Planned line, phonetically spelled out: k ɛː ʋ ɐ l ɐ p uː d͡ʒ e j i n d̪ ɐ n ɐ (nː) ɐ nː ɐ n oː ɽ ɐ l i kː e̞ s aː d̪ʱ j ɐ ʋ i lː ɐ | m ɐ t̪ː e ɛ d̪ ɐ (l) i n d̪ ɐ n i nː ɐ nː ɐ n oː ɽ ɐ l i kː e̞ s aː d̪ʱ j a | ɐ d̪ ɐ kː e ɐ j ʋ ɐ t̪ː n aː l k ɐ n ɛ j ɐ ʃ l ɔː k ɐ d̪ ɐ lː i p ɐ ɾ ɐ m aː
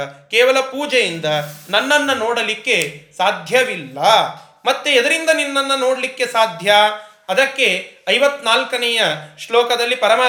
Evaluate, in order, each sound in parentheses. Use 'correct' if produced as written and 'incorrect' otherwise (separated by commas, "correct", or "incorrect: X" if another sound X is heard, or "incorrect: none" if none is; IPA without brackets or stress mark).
correct, incorrect: ɾ